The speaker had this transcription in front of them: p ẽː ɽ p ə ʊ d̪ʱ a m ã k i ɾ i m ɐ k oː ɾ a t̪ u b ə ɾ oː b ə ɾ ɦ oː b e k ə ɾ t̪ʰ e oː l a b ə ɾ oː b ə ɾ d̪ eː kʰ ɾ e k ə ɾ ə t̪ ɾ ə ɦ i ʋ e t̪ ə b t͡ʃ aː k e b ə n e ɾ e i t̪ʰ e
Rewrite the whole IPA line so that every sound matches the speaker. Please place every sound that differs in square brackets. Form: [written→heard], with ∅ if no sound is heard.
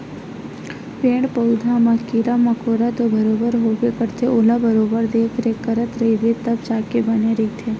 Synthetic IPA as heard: p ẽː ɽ p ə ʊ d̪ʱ a m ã k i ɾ [i→a] m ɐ k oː ɾ a t̪ [u→o] b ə ɾ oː b ə ɾ ɦ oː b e k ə ɾ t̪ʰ e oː l a b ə ɾ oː b ə ɾ d̪ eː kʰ ɾ e k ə ɾ ə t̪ ɾ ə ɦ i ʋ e t̪ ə b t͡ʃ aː k e b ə n e ɾ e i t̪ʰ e

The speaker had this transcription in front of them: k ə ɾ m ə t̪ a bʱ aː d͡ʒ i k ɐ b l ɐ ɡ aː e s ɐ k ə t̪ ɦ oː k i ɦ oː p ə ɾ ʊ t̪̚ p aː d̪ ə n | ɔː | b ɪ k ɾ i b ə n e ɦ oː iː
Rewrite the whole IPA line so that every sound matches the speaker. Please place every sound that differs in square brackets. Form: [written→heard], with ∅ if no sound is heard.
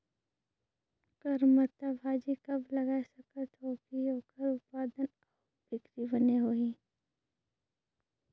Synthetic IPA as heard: k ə ɾ m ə t̪ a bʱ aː d͡ʒ i k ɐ b l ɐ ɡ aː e s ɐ k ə t̪ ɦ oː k i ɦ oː [p→k] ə ɾ ʊ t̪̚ p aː d̪ ə n | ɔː | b ɪ k ɾ i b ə n e ɦ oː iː

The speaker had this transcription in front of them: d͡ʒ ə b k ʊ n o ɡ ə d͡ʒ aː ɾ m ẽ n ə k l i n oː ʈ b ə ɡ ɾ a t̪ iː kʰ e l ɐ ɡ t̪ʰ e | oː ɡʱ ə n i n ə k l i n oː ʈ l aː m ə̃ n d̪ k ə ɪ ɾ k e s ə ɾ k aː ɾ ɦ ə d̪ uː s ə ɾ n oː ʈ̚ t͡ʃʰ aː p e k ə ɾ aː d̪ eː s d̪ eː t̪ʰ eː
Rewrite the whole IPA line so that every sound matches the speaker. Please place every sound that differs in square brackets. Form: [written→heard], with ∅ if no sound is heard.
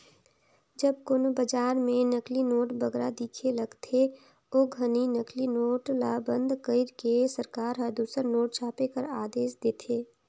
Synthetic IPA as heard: d͡ʒ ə b k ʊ n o [ɡ→b] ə d͡ʒ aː ɾ m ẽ n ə k l i n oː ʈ b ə ɡ ɾ a [t̪→d̪] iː kʰ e l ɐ ɡ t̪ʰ e | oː ɡʱ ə n i n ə k l i n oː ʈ l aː [m→b] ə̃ n d̪ k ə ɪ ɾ k e s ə ɾ k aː ɾ ɦ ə d̪ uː s ə ɾ n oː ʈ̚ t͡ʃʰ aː p e k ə ɾ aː d̪ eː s d̪ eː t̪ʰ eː

